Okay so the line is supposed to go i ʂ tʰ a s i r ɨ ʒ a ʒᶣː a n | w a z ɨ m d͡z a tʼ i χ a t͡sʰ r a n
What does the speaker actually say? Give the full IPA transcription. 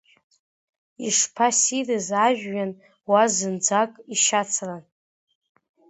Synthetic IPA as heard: i ʂ pʰ a s i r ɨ z a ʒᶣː a n | w a z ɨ n d͡z a kʼ i ʃ a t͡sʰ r a n